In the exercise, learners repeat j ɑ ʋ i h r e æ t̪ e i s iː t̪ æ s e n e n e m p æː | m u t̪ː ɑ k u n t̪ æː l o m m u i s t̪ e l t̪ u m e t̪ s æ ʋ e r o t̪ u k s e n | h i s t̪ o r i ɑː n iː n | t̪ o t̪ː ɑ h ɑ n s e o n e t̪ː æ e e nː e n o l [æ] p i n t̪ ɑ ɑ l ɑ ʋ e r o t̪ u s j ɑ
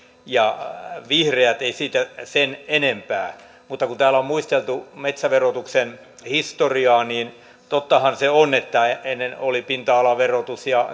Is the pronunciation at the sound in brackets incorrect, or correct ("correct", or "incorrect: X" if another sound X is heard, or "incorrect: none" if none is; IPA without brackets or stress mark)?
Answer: incorrect: i